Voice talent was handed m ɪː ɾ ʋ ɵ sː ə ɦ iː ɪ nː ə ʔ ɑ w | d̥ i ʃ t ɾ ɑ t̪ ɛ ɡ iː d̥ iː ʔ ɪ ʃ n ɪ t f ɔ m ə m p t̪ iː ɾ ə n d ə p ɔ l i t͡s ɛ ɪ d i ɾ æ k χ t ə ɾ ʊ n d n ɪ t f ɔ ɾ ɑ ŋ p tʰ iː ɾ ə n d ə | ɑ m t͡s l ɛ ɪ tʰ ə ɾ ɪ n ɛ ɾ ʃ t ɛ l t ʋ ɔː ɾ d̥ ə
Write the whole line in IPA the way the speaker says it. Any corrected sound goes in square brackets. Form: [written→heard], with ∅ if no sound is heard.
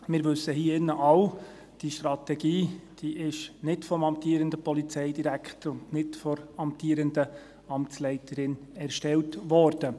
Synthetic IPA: m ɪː ɾ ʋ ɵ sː ə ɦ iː ɪ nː ə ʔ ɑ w | d̥ i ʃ t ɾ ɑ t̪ ɛ ɡ iː d̥ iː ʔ ɪ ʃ n ɪ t f ɔ m [ə→ɑ] m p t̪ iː ɾ ə n d ə p ɔ l i t͡s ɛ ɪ d i ɾ æ k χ t ə ɾ ʊ n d n ɪ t f ɔ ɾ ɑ [ŋ→m] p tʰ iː ɾ ə n d ə | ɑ m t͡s l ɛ ɪ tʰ ə ɾ ɪ n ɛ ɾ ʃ t ɛ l t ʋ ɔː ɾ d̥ ə

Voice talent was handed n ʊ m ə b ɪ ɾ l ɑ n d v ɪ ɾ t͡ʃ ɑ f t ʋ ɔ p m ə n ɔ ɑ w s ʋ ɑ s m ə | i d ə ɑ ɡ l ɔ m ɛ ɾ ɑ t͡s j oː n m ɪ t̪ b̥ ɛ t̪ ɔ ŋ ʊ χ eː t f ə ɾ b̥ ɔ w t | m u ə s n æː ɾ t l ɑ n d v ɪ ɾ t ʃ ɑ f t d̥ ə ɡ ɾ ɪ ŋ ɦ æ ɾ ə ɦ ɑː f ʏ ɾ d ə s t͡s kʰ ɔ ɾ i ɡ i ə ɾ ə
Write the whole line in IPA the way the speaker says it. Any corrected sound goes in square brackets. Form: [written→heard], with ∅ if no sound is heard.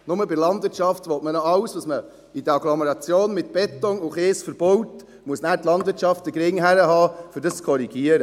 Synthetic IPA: n ʊ m ə b ɪ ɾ l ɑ n d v ɪ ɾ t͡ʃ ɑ f t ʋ ɔ [p→t] m ə n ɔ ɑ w s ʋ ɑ s m ə | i d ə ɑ ɡ l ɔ m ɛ ɾ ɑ t͡s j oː n m ɪ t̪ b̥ ɛ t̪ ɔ ŋ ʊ χ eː [t→s] f ə ɾ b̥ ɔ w t | m u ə s n æː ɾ t l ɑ n d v ɪ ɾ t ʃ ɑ f t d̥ ə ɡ ɾ ɪ ŋ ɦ æ ɾ ə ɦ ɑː f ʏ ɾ d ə s t͡s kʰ ɔ ɾ i ɡ i ə ɾ ə

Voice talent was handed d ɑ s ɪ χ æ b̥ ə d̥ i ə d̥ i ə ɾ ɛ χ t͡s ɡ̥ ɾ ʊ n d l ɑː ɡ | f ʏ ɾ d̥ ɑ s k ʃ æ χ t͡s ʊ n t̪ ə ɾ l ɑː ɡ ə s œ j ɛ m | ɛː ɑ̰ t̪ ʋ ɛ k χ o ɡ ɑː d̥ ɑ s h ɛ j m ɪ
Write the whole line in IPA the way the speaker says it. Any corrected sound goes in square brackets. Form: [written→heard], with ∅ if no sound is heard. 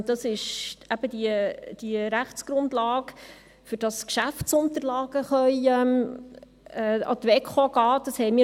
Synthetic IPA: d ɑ s ɪ [χ→ʃ] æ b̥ ə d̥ i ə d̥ i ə ɾ [ɛ→æ] χ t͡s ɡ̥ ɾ ʊ n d l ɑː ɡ | f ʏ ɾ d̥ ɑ s k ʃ æ [χ→f] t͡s ʊ n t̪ ə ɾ l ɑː ɡ ə [s→χ] œ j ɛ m | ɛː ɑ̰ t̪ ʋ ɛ k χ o ɡ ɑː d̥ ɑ s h ɛ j m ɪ

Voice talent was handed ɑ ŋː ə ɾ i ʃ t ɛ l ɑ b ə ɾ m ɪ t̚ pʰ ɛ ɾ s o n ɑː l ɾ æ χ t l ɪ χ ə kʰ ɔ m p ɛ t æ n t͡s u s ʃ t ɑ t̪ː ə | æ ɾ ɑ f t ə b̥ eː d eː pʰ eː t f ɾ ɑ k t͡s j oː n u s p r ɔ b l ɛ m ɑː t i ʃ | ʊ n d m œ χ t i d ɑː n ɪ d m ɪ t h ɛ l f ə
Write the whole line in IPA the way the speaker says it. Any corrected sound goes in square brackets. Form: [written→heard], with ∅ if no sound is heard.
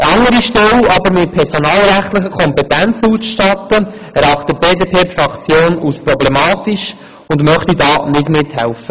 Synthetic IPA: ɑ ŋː ə ɾ i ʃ t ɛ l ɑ b ə ɾ m ɪ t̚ pʰ ɛ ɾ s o n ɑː l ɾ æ χ t l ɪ χ ə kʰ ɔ m p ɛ t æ n t͡s u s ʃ t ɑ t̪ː ə | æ ɾ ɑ [f→χ] t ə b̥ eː d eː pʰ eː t f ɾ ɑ k t͡s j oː n u s p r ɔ b l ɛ m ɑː t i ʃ | ʊ n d m œ χ t i d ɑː n ɪ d m ɪ t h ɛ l f ə

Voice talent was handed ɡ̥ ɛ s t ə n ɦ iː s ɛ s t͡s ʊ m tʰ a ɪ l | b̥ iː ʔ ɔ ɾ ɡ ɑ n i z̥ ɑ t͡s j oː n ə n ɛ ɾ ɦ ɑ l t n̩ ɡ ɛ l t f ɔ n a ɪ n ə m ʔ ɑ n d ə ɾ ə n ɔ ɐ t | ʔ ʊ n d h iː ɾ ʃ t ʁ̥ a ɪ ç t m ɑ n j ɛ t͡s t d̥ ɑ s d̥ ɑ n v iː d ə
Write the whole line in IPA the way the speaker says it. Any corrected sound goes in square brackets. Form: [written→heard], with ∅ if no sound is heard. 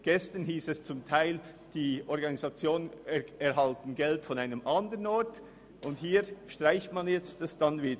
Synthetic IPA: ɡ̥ ɛ s t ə n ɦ iː s ɛ s t͡s ʊ m tʰ a ɪ l | [b̥→d̥] iː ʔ ɔ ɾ ɡ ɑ n i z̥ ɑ t͡s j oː n ə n ɛ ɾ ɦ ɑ l t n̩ ɡ ɛ l t f ɔ n a ɪ n ə m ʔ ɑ n d ə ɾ ə n ɔ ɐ t | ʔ ʊ n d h iː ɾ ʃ t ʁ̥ a ɪ ç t m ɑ n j ɛ t͡s t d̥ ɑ s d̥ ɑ n v iː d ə

